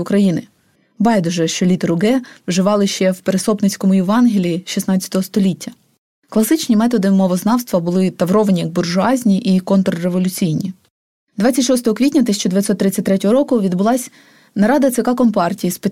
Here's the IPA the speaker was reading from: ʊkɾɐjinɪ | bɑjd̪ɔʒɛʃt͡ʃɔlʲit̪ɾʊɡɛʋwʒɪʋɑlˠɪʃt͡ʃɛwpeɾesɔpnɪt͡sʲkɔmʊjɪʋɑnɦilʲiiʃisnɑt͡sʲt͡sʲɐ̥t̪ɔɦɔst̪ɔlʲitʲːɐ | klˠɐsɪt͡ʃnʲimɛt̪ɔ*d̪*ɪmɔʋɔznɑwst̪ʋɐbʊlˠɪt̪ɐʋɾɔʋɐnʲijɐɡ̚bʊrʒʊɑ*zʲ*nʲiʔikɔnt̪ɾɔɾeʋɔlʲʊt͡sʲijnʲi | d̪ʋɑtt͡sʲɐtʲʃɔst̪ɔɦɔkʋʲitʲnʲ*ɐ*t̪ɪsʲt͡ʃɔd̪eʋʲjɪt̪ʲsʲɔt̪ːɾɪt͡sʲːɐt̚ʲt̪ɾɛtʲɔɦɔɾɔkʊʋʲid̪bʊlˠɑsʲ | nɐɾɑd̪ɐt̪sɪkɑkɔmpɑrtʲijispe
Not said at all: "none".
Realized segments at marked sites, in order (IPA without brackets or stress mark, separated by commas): d̪, zʲ, ɐ